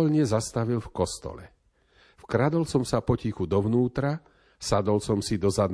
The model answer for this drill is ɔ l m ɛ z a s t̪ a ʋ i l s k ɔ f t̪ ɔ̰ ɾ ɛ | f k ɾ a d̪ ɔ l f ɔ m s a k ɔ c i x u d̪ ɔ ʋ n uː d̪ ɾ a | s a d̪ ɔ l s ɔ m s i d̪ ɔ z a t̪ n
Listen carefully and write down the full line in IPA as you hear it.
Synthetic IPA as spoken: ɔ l ɲ ɛ z a s t̪ a ʋ i l f k ɔ s t̪ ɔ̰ l ɛ | f k ɾ a d̪ ɔ l s ɔ m s a p ɔ c i x u d̪ ɔ ʋ n uː t̪ ɾ a | s a d̪ ɔ l s ɔ m s i d̪ ɔ z a d̪ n